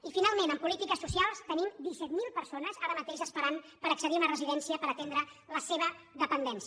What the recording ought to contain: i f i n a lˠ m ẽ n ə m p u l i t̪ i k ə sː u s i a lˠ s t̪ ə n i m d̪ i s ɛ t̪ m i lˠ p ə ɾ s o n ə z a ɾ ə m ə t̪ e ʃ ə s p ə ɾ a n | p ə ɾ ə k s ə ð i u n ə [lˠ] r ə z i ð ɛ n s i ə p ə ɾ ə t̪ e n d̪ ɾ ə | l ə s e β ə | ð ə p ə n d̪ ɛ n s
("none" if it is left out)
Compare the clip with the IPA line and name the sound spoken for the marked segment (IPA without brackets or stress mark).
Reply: none